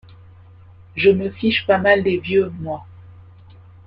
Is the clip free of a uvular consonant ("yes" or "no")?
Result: yes